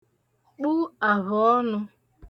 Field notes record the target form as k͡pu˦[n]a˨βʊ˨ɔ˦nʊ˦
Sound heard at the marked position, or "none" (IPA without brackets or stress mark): none